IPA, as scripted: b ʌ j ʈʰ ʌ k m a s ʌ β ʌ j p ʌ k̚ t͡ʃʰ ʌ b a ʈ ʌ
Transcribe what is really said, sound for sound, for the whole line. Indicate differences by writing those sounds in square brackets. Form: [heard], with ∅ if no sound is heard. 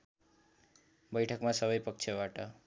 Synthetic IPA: b ʌ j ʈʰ ʌ k m a s ʌ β ʌ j p ʌ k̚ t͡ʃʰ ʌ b a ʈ ʌ